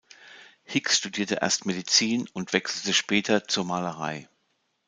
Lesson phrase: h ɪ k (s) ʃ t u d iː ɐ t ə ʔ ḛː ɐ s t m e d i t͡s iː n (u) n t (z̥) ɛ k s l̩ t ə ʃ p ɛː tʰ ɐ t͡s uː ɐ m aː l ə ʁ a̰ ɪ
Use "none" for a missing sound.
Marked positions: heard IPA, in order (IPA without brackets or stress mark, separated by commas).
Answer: s, ʊ, v̥